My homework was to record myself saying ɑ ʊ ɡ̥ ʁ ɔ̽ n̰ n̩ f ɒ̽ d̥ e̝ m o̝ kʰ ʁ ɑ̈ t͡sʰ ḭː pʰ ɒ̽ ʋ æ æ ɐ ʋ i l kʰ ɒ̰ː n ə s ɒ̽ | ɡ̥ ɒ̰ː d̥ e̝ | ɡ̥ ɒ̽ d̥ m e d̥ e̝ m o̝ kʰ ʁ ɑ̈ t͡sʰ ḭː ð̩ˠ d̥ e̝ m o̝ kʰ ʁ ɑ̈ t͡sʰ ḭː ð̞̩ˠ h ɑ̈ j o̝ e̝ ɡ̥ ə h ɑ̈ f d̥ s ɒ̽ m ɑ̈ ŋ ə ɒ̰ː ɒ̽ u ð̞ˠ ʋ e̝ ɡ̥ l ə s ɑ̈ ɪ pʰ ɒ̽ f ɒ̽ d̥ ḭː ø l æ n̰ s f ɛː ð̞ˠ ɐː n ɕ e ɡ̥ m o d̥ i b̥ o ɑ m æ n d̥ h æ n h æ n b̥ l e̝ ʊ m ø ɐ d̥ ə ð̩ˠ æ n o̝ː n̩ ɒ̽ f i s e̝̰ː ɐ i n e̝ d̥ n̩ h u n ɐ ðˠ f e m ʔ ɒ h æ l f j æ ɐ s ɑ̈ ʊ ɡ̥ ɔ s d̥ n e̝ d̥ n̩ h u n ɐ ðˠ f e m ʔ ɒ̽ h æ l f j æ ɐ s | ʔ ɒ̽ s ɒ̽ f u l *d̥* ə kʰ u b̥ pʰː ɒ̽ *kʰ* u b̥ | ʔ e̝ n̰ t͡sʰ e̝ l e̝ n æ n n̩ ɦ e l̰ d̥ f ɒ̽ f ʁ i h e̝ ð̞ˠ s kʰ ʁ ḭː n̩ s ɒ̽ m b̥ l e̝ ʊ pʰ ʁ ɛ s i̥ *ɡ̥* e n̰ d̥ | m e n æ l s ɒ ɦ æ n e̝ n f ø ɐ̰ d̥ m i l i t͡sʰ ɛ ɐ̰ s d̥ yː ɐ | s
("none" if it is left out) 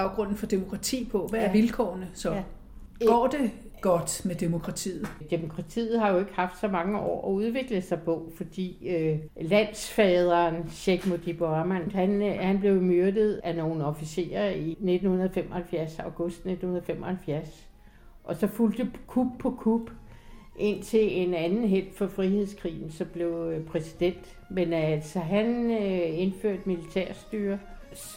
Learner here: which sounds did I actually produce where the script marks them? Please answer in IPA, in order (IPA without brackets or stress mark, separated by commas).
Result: d̥, kʰ, d̥